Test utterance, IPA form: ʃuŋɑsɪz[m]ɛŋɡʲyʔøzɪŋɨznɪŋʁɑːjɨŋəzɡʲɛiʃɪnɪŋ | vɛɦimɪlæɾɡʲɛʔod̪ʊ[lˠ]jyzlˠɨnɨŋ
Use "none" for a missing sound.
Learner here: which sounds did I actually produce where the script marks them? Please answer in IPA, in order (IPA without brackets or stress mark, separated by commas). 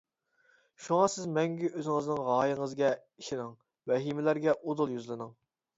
m, lˠ